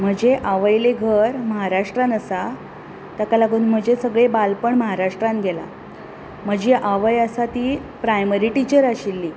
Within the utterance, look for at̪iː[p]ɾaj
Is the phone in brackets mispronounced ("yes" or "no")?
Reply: no